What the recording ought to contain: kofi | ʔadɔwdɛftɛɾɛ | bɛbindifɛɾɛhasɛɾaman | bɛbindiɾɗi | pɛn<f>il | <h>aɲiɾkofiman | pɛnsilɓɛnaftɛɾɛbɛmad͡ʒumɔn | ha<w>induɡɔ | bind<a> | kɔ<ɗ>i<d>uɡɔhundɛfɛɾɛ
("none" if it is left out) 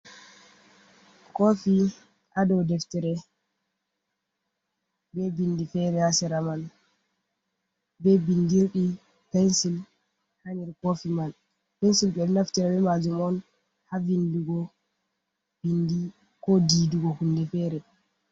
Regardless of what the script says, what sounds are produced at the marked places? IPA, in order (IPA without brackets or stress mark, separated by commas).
s, h, v, i, d, d